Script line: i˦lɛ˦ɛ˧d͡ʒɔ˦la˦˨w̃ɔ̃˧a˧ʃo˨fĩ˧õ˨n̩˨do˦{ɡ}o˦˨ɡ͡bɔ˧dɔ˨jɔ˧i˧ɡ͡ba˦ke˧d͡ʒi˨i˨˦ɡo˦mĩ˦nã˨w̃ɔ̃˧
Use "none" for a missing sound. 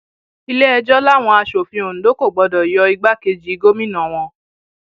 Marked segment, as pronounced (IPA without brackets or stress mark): k